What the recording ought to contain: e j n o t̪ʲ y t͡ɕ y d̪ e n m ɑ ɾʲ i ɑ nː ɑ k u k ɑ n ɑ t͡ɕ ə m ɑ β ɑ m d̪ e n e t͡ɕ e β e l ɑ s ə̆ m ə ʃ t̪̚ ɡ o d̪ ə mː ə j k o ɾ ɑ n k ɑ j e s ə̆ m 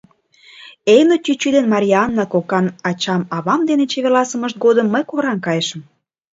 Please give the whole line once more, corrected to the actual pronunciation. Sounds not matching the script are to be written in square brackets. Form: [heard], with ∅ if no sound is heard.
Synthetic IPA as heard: e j n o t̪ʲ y t͡ɕ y d̪ e n m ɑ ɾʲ i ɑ nː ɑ k [o] k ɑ n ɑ t͡ɕ [ɑ] m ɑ β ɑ m d̪ e n e t͡ɕ e β e l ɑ s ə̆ m ə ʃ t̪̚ ɡ o d̪ ə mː ə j k o ɾ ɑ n k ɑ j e [ʃ] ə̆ m